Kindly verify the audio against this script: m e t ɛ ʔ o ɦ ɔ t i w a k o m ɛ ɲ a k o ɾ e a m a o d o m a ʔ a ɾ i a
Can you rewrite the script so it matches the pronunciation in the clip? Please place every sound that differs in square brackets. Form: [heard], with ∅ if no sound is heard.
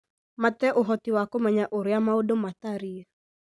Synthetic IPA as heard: m [a] t ɛ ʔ o ɦ ɔ t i w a k o m ɛ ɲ a [ʔ] o ɾ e a m a o d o m a [t] a ɾ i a